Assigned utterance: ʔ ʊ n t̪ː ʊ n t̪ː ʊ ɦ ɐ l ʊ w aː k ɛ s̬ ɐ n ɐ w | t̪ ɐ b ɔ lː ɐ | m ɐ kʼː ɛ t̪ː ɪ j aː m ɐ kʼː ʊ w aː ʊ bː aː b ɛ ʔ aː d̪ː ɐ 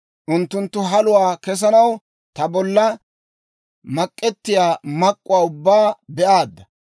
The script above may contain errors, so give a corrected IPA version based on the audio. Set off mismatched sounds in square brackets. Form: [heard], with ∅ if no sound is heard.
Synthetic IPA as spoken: ʔ ʊ n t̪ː ʊ n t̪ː ʊ ɦ ɐ l ʊ w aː k ɛ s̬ ɐ n ɐ w | t̪ ɐ b ɔ lː ɐ | m ɐ kʼː ɛ t̪ː ɪ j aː m ɐ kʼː ʊ w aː ʊ bː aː b ɛ ʔ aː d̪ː ɐ